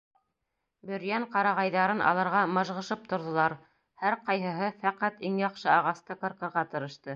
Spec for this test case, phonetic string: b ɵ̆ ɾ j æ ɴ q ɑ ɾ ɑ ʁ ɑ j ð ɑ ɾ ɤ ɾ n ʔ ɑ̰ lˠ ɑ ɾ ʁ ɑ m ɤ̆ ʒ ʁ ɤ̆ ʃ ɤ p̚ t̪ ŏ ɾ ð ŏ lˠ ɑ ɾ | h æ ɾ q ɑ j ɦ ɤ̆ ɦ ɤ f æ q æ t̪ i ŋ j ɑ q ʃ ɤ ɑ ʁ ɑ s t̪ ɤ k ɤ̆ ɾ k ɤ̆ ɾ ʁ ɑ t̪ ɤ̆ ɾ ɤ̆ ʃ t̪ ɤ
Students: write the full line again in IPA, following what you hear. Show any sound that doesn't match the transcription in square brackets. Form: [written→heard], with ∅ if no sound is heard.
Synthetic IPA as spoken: b ɵ̆ ɾ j æ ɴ q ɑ ɾ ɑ ʁ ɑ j ð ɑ ɾ ɤ [ɾ→∅] n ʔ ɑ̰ lˠ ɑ ɾ ʁ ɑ m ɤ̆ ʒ ʁ ɤ̆ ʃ ɤ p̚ t̪ ŏ ɾ ð ŏ lˠ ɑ ɾ | h æ ɾ q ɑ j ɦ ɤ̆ ɦ ɤ f æ q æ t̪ i ŋ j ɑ q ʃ ɤ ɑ ʁ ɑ s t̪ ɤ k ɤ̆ ɾ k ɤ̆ ɾ ʁ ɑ t̪ ɤ̆ ɾ ɤ̆ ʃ t̪ ɤ